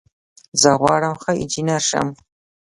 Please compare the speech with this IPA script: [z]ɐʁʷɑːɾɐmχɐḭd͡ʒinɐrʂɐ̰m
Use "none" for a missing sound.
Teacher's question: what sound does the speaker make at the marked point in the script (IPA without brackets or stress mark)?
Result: z